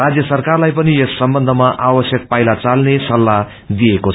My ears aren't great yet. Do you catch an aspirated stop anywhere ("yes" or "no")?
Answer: no